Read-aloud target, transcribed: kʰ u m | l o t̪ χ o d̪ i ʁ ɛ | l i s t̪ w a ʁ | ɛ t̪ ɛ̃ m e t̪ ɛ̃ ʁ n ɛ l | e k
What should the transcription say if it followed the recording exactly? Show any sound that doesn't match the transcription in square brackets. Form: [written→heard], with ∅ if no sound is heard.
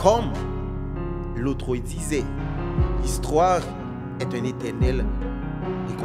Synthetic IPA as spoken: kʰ [u→ɔ] m | l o t̪ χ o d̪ i [ʁ→z] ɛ | l i s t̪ w a ʁ | ɛ t̪ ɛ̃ [m→n] e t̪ [ɛ̃→ɛ] ʁ n ɛ l | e k